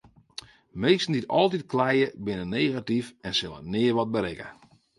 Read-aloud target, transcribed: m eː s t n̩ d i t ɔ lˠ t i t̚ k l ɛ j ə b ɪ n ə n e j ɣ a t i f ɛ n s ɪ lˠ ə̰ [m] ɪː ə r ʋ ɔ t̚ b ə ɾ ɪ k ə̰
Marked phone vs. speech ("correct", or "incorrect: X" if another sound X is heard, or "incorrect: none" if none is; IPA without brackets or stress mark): incorrect: n